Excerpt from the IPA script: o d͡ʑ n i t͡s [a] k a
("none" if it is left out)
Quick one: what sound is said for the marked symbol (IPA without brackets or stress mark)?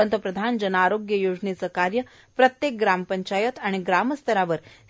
ə